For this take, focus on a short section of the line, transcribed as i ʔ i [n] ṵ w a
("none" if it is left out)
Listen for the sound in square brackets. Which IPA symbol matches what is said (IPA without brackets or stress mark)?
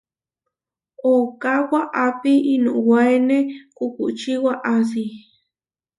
n